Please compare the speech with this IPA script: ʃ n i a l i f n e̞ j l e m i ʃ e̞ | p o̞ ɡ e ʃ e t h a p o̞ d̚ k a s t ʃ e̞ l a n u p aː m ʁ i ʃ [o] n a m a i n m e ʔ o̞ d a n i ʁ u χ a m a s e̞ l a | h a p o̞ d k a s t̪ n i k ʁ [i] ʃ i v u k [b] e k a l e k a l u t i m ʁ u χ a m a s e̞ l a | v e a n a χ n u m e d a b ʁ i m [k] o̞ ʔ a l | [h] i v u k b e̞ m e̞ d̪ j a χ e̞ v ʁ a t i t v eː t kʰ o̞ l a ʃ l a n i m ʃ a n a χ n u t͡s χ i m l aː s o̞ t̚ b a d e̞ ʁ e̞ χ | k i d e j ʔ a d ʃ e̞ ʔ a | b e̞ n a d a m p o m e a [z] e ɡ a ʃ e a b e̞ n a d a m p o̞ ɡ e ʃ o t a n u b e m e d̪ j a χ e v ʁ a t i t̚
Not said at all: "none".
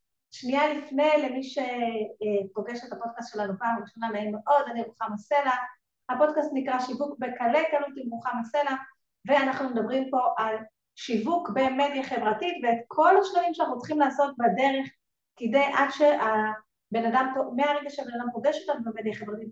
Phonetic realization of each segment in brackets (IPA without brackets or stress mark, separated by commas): o, a, b, p, ʃ, ʁ